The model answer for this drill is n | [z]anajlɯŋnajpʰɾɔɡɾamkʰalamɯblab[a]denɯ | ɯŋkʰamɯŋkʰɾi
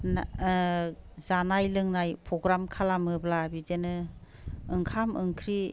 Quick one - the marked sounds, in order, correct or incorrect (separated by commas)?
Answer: correct, incorrect